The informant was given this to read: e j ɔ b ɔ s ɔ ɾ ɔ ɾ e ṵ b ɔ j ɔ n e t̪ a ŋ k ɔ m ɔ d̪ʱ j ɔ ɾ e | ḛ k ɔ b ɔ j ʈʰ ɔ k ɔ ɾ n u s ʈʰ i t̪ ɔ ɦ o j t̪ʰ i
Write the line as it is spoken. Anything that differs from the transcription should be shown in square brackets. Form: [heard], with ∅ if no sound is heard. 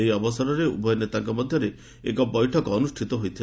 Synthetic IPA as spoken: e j ɔ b ɔ s ɔ ɾ ɔ ɾ e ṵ b ɔ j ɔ n e t̪ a ŋ k ɔ m ɔ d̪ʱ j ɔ ɾ e | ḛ k ɔ b ɔ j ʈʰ ɔ k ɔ [∅] n u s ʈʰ i t̪ ɔ ɦ o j t̪ʰ i